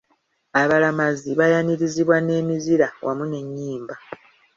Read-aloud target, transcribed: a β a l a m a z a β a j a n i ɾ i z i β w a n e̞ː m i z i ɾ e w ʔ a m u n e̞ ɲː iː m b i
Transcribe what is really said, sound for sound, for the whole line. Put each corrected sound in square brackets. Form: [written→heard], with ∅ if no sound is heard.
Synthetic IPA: a β a l a m a z [a→i] β a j a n i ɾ i z i β w a n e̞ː m i z i ɾ [e→a] w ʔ a m u n e̞ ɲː iː m b [i→a]